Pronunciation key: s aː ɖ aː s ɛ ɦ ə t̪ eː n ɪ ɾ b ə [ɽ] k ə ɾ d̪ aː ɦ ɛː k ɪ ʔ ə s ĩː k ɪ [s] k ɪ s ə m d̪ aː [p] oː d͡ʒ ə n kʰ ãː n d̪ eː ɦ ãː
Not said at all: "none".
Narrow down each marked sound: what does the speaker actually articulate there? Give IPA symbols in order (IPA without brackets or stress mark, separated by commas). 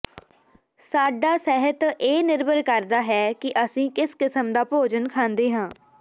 ɾ, s, p